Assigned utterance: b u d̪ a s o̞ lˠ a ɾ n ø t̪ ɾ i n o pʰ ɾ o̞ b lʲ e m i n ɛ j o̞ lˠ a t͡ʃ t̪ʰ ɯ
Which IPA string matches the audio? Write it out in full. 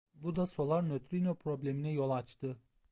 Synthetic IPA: b u d̪ a s o̞ lˠ a ɾ n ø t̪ ɾ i n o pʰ ɾ o̞ b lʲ e m i n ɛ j o̞ lˠ a t͡ʃ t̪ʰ ɯ